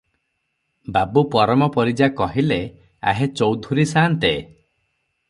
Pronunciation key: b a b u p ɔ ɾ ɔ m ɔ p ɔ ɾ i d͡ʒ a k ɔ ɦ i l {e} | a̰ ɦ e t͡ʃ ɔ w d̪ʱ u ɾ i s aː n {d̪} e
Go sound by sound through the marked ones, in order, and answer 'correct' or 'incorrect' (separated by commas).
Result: correct, incorrect